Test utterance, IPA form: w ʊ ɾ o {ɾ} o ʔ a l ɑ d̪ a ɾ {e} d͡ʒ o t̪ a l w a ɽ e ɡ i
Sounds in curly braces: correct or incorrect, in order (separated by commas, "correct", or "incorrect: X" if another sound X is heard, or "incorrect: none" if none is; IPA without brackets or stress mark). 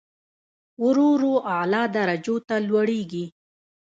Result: correct, incorrect: a